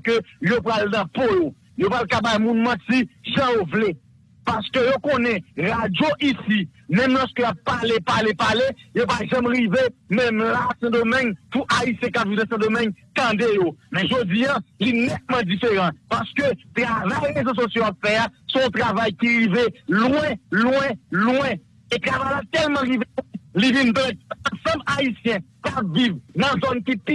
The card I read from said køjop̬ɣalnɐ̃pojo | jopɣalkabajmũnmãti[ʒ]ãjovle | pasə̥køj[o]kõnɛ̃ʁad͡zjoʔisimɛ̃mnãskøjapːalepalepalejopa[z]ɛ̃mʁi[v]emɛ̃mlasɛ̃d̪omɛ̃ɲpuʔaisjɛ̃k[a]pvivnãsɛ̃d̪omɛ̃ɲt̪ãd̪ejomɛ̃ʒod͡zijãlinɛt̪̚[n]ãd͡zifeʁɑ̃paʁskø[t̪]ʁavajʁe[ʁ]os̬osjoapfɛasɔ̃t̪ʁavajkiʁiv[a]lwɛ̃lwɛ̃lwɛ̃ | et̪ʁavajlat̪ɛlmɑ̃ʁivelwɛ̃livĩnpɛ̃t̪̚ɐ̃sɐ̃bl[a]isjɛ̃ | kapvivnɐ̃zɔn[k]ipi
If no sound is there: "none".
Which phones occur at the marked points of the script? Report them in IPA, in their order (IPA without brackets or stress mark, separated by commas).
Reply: ʒ, o, ʒ, v, a, m, t̪, z, e, a, k